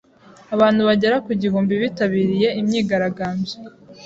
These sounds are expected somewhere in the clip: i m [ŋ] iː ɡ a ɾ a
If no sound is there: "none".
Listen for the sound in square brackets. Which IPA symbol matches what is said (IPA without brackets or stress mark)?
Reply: ɲ